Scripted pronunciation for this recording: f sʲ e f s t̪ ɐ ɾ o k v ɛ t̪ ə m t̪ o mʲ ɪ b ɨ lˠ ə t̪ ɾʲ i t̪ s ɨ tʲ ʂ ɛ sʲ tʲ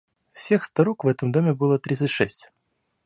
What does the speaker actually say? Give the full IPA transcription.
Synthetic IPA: f sʲ e x s t̪ ɐ ɾ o k v ɛ t̪ ə m d̪ o mʲ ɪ b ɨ lˠ ə t̪ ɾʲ i t̪ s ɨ tʲ ʂ ɛ sʲ tʲ